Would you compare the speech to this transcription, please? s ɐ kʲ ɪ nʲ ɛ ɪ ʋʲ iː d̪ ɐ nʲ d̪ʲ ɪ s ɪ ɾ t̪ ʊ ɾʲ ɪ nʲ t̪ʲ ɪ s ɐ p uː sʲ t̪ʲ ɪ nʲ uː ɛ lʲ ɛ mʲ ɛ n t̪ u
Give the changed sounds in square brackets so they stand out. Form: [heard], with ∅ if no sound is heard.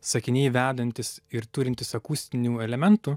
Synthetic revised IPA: s ɐ kʲ ɪ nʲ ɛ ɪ ʋʲ [æː] d̪ ɐ nʲ [t̪ʲ] ɪ s ɪ ɾ t̪ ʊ ɾʲ ɪ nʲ t̪ʲ ɪ s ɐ [k] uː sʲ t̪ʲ ɪ nʲ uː ɛ lʲ ɛ mʲ ɛ n t̪ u